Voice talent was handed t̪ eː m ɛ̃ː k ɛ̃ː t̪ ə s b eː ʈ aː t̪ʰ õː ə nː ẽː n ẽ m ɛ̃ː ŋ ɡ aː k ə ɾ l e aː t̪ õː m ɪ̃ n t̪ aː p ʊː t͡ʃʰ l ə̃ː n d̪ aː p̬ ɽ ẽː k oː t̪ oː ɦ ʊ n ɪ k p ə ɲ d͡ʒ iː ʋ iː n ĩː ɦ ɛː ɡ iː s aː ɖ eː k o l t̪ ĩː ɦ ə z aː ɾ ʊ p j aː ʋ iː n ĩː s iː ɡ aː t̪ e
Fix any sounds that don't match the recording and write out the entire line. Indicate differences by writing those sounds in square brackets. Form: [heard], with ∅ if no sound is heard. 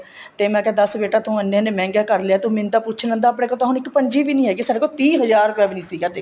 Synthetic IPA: t̪ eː m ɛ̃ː k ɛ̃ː [d̪] ə s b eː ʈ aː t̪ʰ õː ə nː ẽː n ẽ m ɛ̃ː ŋ ɡ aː k ə ɾ l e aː t̪ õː m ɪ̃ n t̪ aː p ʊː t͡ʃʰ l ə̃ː n d̪ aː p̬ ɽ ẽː k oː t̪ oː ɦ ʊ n ɪ k p ə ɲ d͡ʒ iː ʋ iː n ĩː ɦ ɛː ɡ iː s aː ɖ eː k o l t̪ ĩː ɦ ə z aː ɾ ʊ p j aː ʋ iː n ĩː s iː ɡ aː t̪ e